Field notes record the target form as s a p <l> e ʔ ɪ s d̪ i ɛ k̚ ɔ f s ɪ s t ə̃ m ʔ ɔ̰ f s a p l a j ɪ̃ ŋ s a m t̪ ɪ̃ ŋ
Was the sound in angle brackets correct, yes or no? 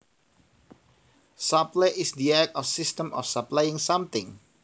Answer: yes